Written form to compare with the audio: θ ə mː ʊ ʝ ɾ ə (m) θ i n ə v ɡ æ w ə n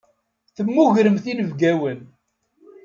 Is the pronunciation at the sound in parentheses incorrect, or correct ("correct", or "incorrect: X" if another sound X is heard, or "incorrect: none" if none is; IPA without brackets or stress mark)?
correct